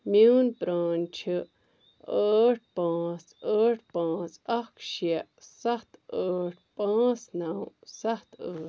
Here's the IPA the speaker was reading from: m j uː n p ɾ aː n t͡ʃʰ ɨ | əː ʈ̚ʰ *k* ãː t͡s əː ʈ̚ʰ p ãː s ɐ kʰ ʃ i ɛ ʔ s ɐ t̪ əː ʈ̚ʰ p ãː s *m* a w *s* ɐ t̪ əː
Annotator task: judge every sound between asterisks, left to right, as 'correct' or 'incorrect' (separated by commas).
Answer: incorrect, incorrect, correct